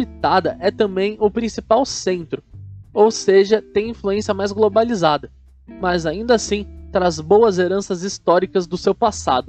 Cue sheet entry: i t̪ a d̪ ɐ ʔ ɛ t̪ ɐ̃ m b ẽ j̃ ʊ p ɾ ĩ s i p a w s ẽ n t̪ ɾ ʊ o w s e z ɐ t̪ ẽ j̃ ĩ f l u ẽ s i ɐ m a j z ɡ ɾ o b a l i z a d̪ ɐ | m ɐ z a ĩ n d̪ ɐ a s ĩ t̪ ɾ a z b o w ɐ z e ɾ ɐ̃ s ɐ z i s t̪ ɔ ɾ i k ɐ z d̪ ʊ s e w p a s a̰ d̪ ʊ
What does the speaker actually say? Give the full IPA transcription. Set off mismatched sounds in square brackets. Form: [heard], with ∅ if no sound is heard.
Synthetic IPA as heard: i t̪ a d̪ ɐ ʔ ɛ t̪ ɐ̃ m b ẽ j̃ ʊ p ɾ ĩ s i p a w s ẽ n t̪ ɾ ʊ o w s e [ʒ] ɐ t̪ ẽ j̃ ĩ f l u ẽ s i ɐ m a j z ɡ [l] o b a l i z a d̪ ɐ | m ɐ z a ĩ n d̪ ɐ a s ĩ t̪ ɾ a z b o w ɐ z e ɾ ɐ̃ s ɐ z i s t̪ ɔ ɾ i k ɐ z d̪ ʊ s e w p a s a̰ d̪ ʊ